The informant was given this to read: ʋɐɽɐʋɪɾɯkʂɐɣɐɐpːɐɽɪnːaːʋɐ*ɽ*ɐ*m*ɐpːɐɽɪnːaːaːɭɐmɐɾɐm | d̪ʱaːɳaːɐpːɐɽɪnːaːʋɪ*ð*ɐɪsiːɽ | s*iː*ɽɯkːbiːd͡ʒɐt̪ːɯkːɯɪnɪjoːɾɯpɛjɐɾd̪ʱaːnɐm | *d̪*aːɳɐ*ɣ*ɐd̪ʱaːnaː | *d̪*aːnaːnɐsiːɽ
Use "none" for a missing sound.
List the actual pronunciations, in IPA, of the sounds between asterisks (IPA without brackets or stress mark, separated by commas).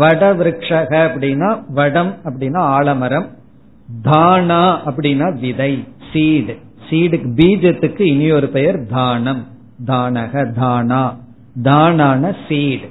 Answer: ɽ, m, ð, iː, d̪, ɣ, d̪